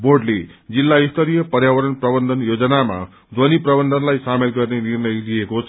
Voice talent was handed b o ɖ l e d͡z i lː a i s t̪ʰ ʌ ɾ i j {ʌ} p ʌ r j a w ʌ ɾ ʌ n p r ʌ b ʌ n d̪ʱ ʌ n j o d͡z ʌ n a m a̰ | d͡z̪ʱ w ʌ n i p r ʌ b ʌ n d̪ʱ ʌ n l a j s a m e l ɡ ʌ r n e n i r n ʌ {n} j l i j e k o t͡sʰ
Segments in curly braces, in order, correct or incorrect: correct, incorrect: none

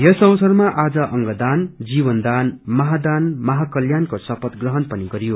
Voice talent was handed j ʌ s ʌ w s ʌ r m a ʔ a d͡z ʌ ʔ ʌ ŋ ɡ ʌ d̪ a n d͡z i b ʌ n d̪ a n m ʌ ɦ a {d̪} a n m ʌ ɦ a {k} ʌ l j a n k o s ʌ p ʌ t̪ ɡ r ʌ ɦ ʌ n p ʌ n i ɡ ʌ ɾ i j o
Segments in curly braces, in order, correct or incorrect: correct, correct

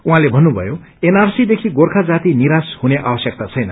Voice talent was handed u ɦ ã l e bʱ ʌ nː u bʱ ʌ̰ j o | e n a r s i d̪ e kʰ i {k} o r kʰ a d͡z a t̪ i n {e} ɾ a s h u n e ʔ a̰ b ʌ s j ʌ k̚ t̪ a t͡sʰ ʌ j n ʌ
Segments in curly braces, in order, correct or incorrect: incorrect: ɡ, incorrect: i

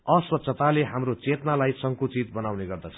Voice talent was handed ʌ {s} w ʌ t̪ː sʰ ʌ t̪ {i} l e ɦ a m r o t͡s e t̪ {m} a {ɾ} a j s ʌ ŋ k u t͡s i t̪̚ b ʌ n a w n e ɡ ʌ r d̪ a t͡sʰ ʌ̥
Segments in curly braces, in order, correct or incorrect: correct, incorrect: a, incorrect: n, incorrect: l

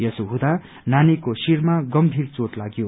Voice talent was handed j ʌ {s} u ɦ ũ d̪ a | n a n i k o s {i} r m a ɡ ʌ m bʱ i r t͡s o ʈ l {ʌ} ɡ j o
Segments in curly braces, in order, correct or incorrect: correct, correct, incorrect: a

